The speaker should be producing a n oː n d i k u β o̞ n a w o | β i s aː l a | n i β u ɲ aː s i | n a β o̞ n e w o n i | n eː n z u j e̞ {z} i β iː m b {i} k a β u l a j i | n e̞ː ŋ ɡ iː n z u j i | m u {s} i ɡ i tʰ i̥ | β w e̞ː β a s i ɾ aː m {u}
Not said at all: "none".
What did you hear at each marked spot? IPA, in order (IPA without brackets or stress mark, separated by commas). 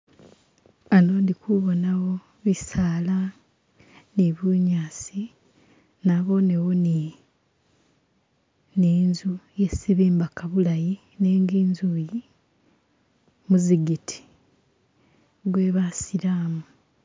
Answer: s, a, z, u